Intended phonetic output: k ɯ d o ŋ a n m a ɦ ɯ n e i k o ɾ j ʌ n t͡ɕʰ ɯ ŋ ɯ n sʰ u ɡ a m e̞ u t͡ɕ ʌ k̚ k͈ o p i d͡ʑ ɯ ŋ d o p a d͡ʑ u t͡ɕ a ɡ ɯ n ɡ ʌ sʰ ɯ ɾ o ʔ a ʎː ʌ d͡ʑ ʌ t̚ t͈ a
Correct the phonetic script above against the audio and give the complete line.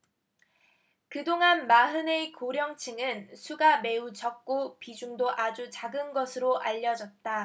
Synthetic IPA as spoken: k ɯ d o ŋ a n m a ɦ ɯ n e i k o ɾ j ʌ ŋ t͡ɕʰ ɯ ŋ ɯ n sʰ u ɡ a m e̞ u t͡ɕ ʌ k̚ k͈ o p i d͡ʑ u ŋ d o ʔ a d͡ʑ u t͡ɕ a ɡ ɯ n ɡ ʌ sʰ ɯ ɾ o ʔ a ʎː ʌ d͡ʑ ʌ t̚ t͈ a